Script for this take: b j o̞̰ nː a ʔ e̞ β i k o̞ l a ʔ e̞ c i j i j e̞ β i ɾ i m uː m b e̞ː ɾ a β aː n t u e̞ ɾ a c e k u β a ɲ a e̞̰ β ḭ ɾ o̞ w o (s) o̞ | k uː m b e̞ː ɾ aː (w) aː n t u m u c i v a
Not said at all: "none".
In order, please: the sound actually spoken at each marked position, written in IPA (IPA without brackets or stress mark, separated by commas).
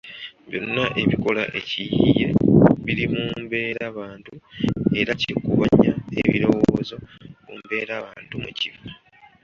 z, β